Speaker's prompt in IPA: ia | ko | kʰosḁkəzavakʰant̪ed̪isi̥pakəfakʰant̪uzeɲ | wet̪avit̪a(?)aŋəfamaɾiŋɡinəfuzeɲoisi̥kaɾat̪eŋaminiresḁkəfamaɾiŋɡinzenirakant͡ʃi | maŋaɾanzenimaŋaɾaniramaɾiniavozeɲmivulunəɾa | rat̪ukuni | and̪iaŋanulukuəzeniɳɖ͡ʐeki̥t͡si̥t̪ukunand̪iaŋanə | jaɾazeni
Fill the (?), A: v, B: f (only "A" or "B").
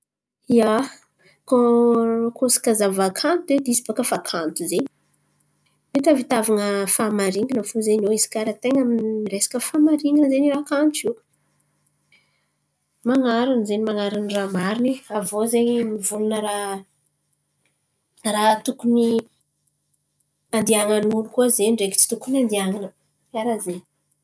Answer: A